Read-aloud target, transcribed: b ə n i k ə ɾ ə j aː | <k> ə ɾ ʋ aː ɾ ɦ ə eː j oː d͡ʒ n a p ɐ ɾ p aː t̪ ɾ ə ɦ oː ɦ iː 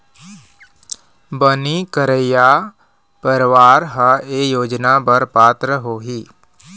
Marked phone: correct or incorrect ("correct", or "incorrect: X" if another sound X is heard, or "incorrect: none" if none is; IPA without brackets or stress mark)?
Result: incorrect: p